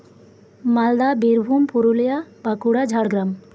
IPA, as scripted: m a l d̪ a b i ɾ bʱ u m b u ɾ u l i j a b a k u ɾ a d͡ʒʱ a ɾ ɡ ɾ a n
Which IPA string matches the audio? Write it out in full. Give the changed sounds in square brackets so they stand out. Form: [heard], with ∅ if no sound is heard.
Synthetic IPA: m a l d̪ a b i ɾ bʱ u m [p] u ɾ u l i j a b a k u [ɽ] a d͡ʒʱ a [ɽ] ɡ ɾ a [m]